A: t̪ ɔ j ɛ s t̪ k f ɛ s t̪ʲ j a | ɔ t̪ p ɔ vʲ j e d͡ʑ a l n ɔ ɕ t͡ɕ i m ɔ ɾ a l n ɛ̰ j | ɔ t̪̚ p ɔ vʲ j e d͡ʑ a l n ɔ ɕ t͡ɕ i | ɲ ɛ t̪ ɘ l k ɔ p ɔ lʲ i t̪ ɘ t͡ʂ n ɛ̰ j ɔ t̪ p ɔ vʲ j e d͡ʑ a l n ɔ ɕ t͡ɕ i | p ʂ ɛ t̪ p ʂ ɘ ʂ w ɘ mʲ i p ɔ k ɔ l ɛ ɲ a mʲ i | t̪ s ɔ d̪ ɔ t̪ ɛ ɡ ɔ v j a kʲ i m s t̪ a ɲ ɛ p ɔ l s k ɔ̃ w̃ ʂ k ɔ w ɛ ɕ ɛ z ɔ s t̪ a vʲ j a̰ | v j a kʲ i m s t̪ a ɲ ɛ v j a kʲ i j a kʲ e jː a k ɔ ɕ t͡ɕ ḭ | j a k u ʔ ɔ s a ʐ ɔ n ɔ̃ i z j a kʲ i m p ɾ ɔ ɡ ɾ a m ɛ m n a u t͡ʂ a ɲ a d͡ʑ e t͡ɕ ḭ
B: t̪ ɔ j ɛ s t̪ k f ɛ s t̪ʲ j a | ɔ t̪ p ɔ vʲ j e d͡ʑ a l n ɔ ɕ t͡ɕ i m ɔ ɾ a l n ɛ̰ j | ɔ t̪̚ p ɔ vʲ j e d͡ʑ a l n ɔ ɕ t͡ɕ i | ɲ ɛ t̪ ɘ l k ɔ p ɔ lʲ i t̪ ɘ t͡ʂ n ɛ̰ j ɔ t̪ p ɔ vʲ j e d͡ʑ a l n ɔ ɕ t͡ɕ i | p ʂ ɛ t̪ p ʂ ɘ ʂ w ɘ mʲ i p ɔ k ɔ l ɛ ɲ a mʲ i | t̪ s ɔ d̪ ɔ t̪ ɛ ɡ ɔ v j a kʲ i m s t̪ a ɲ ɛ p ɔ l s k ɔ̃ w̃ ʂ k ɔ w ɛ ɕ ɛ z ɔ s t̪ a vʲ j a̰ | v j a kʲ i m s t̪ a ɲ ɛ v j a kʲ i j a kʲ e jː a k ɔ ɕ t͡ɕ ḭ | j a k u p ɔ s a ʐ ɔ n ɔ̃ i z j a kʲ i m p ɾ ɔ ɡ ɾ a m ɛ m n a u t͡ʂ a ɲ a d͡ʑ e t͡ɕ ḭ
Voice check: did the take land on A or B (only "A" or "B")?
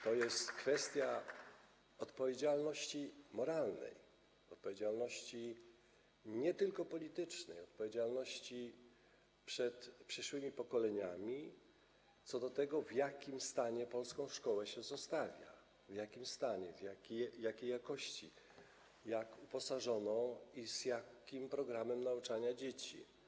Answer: B